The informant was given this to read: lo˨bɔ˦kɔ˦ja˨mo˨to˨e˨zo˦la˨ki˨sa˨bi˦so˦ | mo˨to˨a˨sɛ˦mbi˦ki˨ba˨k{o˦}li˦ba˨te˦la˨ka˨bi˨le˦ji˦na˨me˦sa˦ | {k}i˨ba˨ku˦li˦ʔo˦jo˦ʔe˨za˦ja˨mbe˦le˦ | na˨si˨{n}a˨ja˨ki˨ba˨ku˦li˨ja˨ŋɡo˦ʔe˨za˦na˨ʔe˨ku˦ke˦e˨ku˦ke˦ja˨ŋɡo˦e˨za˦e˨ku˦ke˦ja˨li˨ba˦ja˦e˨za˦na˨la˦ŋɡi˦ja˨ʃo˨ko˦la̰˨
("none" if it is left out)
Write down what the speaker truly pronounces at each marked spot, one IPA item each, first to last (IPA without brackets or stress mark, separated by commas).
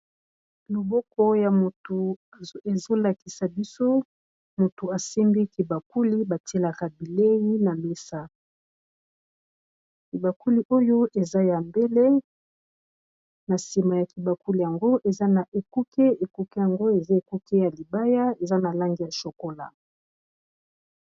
u˦, k, m